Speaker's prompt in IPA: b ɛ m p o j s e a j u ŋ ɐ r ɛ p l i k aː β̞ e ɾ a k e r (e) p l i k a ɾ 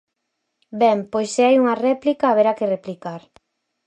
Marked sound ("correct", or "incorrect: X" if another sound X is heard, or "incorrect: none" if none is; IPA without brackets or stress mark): correct